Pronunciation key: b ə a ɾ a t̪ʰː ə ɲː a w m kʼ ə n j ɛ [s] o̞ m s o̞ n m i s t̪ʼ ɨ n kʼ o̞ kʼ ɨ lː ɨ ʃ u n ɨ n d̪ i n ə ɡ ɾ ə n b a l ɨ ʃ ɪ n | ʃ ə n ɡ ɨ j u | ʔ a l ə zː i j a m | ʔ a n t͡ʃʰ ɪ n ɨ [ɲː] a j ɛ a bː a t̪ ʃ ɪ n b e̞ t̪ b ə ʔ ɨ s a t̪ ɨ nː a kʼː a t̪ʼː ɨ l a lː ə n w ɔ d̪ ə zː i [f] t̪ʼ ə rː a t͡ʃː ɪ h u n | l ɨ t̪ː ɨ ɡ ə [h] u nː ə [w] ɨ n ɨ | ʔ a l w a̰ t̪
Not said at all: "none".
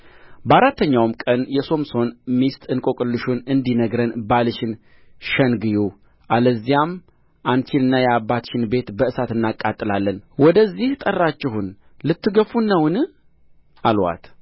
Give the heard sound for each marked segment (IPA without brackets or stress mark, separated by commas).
s, nː, h, f, w